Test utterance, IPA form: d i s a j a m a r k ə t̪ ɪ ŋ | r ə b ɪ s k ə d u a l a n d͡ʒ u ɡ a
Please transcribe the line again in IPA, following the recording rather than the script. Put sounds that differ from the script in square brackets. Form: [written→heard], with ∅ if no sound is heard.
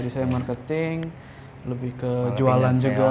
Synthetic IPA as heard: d i s a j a m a r k ə t̪ ɪ ŋ | [r→l] ə b ɪ [s→h] k ə [d→d͡ʒ] u a l a n d͡ʒ u ɡ a